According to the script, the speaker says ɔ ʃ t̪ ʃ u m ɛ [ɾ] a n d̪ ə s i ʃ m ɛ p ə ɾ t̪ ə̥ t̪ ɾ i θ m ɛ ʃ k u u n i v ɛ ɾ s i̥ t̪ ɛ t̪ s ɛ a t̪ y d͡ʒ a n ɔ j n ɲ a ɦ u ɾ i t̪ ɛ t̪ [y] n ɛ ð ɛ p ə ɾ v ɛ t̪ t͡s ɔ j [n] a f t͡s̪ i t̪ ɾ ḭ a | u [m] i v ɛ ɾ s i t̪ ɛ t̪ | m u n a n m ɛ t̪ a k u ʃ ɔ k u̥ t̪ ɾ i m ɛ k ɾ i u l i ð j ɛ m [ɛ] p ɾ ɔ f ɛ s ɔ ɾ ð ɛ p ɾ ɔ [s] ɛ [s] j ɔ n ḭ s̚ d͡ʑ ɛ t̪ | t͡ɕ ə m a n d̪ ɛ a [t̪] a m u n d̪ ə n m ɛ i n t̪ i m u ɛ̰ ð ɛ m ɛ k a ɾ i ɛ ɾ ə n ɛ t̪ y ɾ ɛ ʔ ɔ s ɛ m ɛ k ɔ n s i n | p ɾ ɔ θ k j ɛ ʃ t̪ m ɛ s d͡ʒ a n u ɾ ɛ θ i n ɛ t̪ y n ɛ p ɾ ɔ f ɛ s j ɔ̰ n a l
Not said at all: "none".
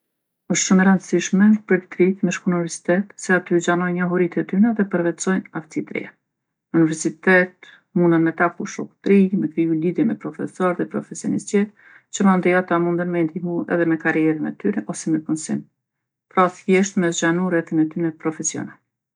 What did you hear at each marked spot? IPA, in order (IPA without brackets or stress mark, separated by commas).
ɾ, y, n, n, ɛ, f, s, t̪